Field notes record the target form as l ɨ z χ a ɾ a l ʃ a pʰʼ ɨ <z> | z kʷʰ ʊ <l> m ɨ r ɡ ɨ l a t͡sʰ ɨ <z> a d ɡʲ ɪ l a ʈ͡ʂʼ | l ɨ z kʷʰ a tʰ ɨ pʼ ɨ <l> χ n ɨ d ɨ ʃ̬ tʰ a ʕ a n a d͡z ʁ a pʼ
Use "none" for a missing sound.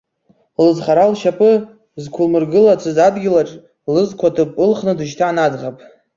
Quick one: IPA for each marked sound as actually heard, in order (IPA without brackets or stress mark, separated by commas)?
none, l, z, l